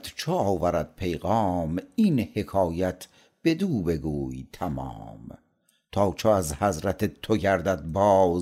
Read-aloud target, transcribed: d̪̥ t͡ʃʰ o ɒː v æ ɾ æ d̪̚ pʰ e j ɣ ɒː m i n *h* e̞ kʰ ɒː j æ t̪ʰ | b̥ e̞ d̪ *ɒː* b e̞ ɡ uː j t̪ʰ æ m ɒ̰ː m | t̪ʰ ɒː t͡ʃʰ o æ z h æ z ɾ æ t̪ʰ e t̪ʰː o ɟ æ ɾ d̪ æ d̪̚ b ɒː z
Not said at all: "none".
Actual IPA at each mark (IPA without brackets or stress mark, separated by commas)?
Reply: h, uː